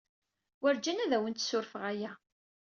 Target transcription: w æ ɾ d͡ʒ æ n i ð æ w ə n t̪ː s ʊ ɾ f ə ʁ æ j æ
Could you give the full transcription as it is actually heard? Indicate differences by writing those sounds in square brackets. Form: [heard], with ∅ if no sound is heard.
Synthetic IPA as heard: w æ ɾ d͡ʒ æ n [æ] ð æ w ə n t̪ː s ʊ ɾ f ə ʁ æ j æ